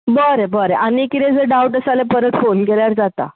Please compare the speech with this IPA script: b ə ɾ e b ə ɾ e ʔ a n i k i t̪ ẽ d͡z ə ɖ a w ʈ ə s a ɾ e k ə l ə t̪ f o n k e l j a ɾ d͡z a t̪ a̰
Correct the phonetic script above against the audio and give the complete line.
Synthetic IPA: b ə ɾ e b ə ɾ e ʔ a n i k i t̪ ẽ d͡z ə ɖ a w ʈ ə s a l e p ə ɾ ə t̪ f o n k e l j a ɾ d͡z a t̪ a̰